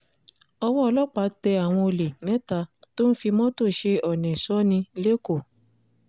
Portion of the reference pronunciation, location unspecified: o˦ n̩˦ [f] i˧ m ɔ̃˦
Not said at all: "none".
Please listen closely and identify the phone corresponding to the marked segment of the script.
f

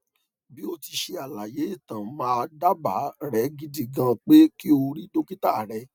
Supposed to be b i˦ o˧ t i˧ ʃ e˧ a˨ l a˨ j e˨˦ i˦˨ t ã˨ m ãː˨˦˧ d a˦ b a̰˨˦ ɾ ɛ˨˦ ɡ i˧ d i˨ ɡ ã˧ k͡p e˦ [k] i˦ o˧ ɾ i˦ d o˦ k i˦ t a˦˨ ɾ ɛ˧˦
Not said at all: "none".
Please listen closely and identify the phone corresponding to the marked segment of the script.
k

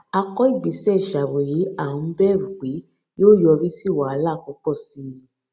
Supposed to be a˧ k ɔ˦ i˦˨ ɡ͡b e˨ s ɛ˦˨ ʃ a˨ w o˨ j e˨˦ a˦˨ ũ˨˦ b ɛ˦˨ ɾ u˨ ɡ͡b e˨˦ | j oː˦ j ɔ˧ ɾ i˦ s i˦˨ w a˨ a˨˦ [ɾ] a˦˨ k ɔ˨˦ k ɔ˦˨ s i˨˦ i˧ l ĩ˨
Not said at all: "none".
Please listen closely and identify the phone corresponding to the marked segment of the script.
l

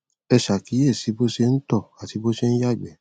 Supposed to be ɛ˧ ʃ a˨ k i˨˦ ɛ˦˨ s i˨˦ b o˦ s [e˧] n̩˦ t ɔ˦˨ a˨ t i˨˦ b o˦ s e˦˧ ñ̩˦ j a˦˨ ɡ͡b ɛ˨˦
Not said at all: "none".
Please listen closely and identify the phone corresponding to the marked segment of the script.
e˧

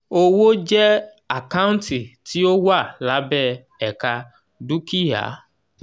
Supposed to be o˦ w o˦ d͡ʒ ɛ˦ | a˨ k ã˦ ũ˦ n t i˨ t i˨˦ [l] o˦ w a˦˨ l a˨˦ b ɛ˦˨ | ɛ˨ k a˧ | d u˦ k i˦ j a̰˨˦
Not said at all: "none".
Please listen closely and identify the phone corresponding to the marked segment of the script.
none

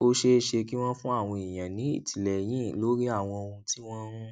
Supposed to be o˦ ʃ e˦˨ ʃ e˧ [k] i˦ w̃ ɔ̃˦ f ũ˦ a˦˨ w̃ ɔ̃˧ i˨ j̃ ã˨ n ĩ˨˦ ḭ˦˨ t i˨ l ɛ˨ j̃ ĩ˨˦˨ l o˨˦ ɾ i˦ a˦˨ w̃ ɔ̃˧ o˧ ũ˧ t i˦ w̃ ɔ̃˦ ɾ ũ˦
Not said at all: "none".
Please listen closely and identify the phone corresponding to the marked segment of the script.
k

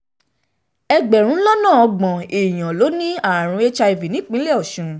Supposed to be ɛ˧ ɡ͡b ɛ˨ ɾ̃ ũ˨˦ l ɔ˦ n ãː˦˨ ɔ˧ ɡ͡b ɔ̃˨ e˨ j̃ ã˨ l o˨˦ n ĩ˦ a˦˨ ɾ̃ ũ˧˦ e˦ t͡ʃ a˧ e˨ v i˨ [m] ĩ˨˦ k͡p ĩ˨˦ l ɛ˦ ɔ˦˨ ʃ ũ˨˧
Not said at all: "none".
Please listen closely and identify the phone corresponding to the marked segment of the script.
n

